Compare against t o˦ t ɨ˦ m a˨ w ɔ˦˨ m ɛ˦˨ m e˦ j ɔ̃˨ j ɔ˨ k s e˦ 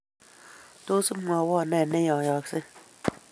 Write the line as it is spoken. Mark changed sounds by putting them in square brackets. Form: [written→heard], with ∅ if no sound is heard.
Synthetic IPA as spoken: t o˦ [t→s] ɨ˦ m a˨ w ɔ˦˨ [m→n] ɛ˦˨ [m→n] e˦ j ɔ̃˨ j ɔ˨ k s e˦